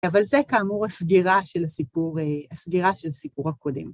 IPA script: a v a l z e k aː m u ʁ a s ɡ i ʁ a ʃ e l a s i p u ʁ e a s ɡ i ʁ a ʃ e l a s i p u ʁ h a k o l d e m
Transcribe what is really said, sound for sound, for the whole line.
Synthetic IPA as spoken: a v a l z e k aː m u ʁ a s ɡ i ʁ a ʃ e l a s i p u ʁ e a s ɡ i ʁ a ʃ e l a s i p u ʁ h a k o d e m